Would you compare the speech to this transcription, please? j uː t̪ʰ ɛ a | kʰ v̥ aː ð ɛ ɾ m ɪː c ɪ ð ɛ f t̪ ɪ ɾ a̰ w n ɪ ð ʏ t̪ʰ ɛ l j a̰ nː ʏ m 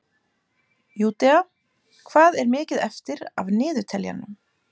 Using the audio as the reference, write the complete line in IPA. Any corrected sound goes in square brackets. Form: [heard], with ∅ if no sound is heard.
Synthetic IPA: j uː [t̪] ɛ a | kʰ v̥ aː ð ɛ ɾ m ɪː c ɪ ð ɛ f t̪ ɪ ɾ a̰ [v] n [ɪː] ð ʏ t̪ʰ ɛ l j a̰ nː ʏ m